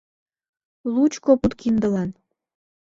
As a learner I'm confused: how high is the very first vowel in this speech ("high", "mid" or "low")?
high